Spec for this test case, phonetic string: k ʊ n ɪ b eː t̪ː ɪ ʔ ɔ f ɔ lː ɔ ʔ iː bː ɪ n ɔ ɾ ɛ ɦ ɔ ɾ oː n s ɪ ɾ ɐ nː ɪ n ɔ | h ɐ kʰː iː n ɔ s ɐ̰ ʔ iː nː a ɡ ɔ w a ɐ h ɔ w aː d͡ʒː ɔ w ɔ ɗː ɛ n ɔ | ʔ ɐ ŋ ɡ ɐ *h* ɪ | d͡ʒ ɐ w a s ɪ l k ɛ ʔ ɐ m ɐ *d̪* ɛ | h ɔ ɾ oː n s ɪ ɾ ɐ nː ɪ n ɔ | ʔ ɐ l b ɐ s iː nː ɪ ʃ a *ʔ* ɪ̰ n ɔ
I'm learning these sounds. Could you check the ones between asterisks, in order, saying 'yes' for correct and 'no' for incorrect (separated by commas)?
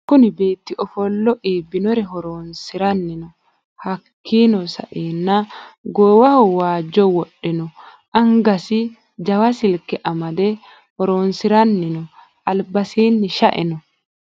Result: no, yes, yes